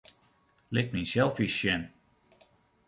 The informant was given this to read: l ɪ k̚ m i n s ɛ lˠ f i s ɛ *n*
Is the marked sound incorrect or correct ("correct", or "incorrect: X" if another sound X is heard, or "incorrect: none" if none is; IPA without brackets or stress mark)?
correct